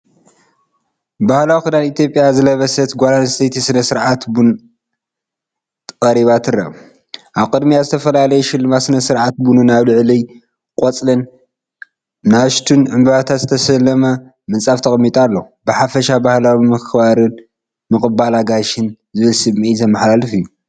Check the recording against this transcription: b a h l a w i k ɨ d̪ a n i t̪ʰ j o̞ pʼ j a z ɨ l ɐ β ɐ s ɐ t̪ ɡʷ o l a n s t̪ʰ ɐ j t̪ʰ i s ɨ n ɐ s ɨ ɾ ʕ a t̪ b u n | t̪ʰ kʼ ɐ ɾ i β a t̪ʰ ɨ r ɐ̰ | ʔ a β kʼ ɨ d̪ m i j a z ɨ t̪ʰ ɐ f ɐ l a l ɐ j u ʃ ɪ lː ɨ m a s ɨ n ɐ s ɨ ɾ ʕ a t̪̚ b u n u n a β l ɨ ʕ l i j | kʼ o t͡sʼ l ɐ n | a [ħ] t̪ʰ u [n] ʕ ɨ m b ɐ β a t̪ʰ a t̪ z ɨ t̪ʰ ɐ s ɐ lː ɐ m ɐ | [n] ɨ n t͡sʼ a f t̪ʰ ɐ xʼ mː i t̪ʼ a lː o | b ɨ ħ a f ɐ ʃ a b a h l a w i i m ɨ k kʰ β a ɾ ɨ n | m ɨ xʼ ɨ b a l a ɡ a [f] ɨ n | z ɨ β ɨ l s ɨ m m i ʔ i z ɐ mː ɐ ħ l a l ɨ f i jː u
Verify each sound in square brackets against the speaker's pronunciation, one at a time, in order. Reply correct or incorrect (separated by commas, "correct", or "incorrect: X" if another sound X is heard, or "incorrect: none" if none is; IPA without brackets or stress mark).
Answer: incorrect: ʃ, correct, incorrect: m, incorrect: ʃ